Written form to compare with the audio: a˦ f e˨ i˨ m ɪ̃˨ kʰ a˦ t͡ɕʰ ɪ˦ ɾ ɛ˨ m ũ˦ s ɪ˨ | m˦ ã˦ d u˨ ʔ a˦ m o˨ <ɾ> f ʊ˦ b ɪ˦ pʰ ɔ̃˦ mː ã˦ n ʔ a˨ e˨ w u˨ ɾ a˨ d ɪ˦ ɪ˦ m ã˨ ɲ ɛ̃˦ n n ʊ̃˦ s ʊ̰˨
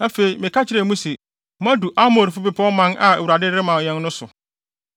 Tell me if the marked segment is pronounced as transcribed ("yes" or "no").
yes